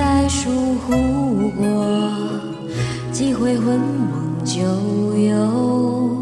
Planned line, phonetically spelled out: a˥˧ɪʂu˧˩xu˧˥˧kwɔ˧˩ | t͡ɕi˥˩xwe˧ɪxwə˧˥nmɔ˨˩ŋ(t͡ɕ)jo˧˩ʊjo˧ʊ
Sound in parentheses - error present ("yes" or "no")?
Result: no